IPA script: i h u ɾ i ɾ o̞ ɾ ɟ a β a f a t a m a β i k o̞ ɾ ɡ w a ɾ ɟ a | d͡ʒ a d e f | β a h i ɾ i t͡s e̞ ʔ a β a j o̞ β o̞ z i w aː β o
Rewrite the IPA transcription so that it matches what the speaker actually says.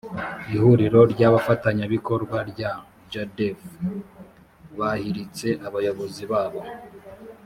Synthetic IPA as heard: i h u ɾ i ɾ o̞ ɾ ɟ a β a f a t a ɲ a β i k o̞ ɾ ɡ w a ɾ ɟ a | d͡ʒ a d e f | β a h i ɾ i t͡s e̞ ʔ a β a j o̞ β o̞ z i β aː β o